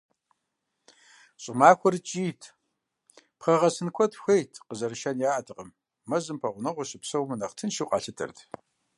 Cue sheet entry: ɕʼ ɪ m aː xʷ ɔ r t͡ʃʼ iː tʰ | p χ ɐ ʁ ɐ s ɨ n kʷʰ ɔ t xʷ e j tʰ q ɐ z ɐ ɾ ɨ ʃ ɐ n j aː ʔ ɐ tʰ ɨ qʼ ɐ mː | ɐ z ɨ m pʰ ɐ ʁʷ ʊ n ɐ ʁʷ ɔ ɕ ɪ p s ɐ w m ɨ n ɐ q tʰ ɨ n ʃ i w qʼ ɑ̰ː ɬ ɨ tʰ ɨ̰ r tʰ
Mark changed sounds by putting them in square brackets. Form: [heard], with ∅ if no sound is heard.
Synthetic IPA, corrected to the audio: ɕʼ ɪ m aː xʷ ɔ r t͡ʃʼ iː tʰ | p χ ɐ ʁ ɐ s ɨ n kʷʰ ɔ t xʷ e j tʰ q [ə] z ɐ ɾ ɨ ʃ ɐ n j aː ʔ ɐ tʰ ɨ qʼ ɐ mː | ɐ z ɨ m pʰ ɐ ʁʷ ʊ n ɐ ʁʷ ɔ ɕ ɪ p s ɐ w m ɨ n ɐ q tʰ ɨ n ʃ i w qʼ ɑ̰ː ɬ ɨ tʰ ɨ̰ r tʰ

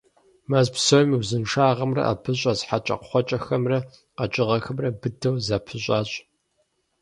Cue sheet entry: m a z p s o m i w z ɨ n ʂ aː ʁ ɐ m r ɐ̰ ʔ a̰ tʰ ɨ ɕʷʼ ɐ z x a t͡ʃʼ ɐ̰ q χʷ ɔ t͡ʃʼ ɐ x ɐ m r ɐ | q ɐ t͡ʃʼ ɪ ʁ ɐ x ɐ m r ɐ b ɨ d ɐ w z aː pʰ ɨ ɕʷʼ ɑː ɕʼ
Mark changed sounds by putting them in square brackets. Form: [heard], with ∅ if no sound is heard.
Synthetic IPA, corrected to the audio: m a z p s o m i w z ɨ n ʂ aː ʁ ɐ m r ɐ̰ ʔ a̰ [pʰ] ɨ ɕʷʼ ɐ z [ħ] a t͡ʃʼ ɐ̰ q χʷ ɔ t͡ʃʼ ɐ x ɐ m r ɐ | q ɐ t͡ʃʼ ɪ ʁ ɐ x ɐ m r ɐ b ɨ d ɐ w z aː pʰ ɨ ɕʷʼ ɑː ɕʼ

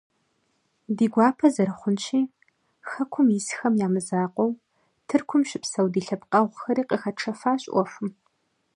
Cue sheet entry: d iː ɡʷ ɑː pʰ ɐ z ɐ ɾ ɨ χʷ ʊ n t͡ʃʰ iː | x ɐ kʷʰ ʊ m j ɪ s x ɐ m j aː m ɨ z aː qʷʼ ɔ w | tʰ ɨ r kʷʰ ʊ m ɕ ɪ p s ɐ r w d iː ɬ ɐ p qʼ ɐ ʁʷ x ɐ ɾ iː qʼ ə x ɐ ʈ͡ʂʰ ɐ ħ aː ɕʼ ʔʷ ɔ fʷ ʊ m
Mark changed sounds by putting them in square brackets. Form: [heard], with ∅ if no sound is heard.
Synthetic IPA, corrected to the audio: d iː ɡʷ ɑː pʰ ɐ z ɐ ɾ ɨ χʷ ʊ n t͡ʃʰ iː | x ɐ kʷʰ ʊ m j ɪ s x ɐ m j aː m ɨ z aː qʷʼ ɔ w | tʰ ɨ r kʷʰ ʊ m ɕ ɪ p s ɐ [∅] w d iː ɬ ɐ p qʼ ɐ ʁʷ x ɐ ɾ iː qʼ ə x ɐ ʈ͡ʂʰ ɐ [f] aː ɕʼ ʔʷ ɔ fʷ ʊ m

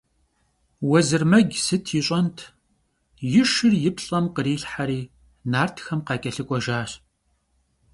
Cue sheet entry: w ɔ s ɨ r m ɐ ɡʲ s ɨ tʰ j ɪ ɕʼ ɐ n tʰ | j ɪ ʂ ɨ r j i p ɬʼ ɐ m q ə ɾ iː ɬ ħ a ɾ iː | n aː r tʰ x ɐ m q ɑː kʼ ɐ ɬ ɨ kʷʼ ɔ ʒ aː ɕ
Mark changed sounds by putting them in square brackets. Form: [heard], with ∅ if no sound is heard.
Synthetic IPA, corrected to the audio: w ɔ [z] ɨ r m ɐ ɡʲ s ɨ tʰ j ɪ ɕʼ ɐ n tʰ | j ɪ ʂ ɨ r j [ɪ] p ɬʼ ɐ m q ə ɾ iː ɬ ħ a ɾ iː | n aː r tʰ x ɐ m q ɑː kʼ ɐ ɬ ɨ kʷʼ ɔ ʒ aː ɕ

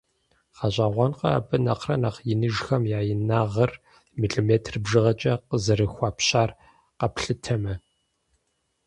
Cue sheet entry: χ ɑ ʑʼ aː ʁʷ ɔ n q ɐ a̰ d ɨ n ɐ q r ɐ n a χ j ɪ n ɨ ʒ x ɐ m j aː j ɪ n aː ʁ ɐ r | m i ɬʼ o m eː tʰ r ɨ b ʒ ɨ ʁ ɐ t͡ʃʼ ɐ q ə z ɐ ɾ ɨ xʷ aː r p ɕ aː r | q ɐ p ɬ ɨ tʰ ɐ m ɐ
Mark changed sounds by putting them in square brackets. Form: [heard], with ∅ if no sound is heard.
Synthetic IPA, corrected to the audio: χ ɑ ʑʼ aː ʁʷ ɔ n q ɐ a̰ [b] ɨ n ɐ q r ɐ n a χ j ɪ n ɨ ʒ x ɐ m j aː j ɪ n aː ʁ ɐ r | m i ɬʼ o m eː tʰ r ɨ b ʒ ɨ ʁ ɐ t͡ʃʼ ɐ q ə z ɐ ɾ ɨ xʷ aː [∅] p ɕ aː r | q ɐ p ɬ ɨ tʰ ɐ m ɐ

